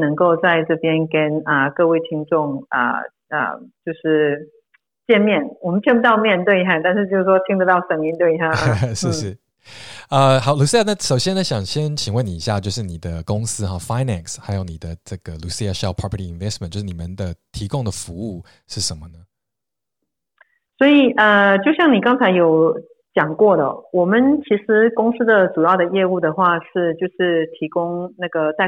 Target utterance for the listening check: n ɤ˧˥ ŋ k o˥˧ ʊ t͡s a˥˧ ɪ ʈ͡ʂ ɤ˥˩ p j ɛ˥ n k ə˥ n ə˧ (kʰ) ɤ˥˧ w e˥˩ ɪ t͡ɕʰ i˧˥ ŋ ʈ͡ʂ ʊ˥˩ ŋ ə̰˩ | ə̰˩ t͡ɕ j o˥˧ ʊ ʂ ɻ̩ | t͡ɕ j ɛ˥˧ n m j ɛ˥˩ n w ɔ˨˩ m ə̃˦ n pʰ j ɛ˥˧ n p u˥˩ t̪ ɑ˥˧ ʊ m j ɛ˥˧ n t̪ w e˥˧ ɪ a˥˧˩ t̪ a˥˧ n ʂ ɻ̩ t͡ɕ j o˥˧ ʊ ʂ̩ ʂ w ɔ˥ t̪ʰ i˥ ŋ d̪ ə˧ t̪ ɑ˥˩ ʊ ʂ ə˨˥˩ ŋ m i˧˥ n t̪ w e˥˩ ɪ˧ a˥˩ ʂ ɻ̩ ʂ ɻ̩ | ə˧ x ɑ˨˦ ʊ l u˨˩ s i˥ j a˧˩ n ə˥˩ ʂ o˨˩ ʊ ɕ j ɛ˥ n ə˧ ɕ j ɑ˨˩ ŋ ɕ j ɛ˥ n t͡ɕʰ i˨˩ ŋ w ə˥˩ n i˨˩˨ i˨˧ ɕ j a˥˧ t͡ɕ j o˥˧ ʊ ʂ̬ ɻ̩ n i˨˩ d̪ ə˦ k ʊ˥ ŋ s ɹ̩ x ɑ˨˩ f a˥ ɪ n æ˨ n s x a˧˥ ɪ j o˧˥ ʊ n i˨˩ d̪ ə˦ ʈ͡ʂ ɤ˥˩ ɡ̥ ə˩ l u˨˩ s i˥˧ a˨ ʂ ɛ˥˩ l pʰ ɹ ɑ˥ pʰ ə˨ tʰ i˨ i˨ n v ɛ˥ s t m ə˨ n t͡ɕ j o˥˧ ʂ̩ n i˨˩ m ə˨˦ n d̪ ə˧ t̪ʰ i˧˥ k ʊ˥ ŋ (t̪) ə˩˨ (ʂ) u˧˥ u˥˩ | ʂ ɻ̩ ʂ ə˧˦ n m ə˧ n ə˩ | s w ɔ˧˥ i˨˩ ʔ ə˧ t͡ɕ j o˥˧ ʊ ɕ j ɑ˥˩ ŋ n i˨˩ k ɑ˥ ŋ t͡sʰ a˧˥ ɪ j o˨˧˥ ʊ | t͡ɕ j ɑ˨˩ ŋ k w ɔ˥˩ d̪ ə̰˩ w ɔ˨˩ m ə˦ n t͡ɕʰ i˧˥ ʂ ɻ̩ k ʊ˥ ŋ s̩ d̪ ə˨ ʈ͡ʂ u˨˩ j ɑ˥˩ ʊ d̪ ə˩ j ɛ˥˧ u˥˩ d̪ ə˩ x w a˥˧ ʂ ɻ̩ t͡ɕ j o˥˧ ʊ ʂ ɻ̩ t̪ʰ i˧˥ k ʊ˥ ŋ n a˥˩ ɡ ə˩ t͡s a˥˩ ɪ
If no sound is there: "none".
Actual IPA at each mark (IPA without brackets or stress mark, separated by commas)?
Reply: k, d̪, f